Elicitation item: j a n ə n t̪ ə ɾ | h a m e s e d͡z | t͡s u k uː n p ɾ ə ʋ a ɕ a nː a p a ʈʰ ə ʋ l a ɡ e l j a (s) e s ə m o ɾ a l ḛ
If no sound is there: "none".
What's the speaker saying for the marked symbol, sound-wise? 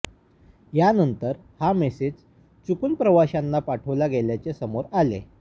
t͡s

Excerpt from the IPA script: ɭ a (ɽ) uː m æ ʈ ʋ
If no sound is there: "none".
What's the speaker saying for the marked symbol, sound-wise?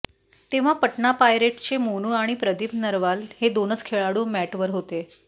ɽ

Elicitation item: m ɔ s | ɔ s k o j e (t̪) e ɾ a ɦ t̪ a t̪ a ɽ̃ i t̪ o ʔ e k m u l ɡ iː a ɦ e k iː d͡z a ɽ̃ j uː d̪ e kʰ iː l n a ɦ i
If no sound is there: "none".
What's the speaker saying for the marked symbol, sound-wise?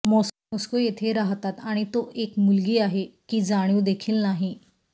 t̪ʰ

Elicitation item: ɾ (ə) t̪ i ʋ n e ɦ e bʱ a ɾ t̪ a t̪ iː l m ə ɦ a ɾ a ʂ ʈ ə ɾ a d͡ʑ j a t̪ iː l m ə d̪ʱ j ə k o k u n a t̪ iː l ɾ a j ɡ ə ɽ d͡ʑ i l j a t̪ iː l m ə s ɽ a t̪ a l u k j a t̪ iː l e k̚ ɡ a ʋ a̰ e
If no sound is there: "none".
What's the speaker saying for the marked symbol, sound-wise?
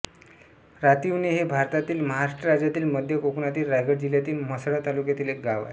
a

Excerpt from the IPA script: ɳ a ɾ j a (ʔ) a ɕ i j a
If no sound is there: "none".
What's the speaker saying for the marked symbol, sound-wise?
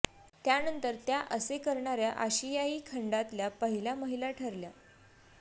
ʔ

